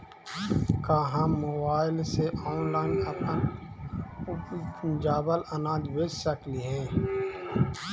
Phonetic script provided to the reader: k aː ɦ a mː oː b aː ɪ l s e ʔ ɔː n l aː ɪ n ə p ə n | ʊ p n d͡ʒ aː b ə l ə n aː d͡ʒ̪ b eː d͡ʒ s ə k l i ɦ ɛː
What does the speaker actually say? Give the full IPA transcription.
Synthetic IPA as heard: k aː ɦ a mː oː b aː ɪ l s e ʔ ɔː n l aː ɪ n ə p ə n | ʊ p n d͡ʒ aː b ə l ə n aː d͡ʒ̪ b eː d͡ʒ s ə k l i ɦ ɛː